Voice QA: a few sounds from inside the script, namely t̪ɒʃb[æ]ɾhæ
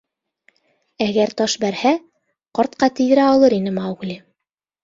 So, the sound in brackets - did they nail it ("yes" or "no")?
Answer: yes